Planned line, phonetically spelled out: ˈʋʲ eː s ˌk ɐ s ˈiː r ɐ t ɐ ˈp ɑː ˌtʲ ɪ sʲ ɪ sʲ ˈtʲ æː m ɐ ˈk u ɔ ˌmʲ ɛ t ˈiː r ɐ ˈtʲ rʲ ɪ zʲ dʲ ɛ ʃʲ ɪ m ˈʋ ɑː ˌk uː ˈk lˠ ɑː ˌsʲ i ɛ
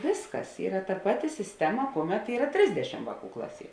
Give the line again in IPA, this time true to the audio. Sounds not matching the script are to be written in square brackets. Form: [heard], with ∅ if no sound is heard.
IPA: ˈʋʲ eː s ˌk ɐ s ˈiː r ɐ t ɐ ˈp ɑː ˌtʲ ɪ sʲ ɪ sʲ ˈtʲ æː m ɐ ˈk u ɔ ˌmʲ ɛ t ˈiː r ɐ ˈtʲ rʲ ɪ zʲ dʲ ɛ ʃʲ ɪ m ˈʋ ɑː ˌk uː ˈk lˠ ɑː ˌsʲ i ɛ